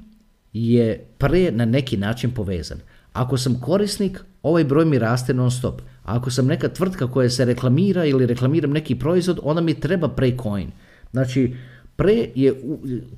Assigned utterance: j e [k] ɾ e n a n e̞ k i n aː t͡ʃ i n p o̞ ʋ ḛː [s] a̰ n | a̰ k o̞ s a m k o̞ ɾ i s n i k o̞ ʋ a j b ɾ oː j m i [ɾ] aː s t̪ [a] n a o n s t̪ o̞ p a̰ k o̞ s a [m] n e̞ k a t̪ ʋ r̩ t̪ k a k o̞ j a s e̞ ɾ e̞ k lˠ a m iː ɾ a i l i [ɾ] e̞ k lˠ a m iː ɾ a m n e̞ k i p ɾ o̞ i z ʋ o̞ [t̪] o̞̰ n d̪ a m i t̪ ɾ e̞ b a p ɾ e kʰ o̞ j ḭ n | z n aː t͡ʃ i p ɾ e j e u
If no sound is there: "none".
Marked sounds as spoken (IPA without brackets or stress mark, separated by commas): p, z, ɾ, e, m, ɾ, d̪